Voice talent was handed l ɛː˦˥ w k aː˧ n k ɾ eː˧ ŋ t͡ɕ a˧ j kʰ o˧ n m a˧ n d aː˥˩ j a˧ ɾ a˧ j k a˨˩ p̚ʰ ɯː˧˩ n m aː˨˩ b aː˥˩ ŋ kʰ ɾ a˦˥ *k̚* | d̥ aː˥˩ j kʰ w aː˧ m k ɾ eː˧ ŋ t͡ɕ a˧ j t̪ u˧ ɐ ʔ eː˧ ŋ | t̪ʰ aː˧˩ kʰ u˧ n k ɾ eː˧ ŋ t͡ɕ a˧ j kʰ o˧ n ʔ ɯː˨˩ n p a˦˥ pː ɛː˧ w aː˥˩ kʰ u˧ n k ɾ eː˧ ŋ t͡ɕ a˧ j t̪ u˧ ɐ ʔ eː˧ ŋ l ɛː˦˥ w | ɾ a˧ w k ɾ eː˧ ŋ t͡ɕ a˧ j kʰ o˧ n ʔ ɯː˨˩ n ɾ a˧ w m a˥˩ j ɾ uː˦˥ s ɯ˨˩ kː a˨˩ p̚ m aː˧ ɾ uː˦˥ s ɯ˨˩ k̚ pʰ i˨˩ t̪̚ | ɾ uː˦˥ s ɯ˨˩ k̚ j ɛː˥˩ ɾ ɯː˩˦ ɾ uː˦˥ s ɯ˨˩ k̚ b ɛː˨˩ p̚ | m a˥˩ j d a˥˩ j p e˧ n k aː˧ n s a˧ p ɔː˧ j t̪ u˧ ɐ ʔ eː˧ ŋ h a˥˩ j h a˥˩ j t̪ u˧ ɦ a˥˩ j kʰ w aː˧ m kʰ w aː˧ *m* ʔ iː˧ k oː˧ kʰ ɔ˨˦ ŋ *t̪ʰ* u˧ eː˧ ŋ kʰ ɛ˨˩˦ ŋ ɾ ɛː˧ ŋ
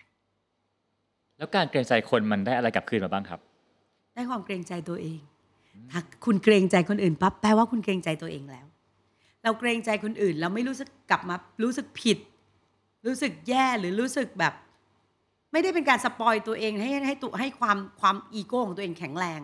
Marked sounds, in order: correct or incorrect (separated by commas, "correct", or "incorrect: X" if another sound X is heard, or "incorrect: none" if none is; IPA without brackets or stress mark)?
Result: incorrect: p̚, correct, incorrect: t̪